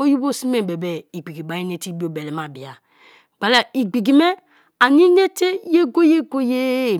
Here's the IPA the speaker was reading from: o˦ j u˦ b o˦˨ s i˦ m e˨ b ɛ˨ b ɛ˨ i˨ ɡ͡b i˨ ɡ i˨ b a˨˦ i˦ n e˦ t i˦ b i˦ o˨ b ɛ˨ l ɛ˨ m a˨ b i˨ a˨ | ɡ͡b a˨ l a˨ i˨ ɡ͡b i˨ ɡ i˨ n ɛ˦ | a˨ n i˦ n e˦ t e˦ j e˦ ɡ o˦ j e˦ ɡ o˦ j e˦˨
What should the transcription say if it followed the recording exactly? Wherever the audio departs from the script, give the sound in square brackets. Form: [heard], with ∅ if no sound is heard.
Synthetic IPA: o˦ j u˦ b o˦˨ s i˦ m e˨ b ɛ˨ b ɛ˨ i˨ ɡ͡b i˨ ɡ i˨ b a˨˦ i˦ n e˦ t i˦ b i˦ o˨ b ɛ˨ l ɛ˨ m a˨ b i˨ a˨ | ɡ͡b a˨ l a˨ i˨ ɡ͡b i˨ ɡ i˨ [m] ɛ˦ | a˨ n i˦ n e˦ t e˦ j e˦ ɡ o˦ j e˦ ɡ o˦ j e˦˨